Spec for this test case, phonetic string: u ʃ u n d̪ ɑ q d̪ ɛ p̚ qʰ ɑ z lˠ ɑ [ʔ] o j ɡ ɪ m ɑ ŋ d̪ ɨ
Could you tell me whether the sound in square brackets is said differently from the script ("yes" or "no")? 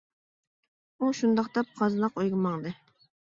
yes